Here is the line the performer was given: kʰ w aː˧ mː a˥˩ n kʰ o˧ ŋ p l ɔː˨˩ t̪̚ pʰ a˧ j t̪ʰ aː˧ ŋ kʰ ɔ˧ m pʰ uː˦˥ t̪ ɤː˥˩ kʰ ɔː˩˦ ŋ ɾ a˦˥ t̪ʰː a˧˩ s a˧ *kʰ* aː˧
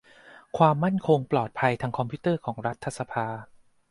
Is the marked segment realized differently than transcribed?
yes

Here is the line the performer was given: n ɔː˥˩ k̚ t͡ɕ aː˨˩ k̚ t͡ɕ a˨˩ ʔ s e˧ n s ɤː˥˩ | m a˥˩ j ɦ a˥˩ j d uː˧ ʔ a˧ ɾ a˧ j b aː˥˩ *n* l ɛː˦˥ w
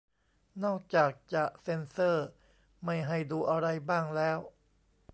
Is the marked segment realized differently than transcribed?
yes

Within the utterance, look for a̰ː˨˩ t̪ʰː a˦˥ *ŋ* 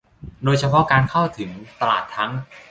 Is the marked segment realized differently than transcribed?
no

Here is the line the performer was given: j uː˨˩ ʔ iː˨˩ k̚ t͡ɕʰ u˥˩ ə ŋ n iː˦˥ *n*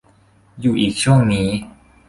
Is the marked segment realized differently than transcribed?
yes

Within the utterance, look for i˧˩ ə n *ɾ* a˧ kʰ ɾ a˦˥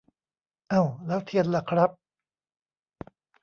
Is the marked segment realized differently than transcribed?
yes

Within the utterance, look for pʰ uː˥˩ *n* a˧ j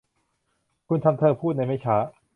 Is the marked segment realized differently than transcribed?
no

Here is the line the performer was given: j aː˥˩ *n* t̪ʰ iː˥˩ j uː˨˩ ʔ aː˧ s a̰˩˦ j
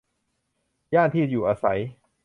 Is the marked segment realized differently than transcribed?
no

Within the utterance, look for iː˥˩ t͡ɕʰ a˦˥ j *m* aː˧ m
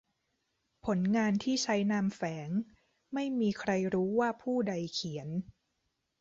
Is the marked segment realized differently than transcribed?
yes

